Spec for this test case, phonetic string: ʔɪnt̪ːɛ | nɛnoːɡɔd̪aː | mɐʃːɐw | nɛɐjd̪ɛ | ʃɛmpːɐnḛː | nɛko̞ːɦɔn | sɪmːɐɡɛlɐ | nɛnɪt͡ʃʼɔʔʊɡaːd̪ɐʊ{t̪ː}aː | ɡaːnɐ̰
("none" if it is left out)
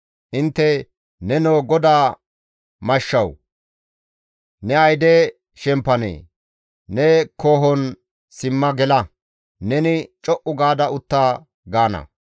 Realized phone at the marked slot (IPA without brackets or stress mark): t̪ː